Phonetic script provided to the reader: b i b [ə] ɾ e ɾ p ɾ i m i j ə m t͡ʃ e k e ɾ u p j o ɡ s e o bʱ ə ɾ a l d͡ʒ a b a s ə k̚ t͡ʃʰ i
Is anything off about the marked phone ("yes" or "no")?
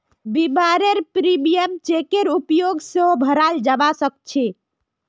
yes